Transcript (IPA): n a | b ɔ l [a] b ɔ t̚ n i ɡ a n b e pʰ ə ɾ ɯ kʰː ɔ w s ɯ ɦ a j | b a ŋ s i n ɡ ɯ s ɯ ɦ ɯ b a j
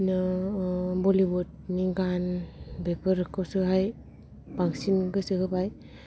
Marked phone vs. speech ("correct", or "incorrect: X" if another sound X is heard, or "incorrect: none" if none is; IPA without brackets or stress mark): incorrect: i